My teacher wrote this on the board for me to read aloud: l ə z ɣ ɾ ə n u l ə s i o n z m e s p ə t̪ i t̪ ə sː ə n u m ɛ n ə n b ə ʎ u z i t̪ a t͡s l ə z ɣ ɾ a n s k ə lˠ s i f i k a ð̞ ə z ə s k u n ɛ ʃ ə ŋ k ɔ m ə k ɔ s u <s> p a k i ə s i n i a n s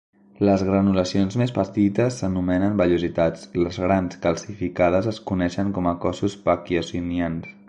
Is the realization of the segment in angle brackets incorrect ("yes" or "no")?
no